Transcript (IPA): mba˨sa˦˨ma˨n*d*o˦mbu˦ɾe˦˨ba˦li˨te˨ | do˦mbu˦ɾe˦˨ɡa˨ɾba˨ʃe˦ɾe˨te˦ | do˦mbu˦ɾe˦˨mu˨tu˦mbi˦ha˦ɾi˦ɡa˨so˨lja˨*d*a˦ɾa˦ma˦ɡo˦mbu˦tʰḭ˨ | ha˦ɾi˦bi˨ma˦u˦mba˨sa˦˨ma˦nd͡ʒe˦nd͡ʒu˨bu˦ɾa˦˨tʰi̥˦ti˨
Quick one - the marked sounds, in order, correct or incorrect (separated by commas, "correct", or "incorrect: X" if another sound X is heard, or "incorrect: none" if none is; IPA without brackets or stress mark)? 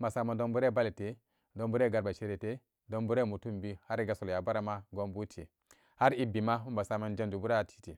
correct, incorrect: b